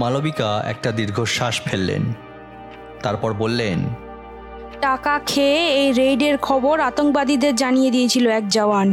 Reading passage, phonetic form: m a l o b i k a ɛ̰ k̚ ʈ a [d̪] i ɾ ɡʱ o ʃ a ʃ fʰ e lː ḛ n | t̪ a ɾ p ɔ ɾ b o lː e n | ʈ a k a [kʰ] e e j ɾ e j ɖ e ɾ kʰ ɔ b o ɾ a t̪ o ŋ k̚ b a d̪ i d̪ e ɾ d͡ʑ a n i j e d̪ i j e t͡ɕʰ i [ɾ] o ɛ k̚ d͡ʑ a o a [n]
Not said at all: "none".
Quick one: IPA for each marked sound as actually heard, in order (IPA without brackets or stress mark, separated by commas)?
d̪, kʰ, l, n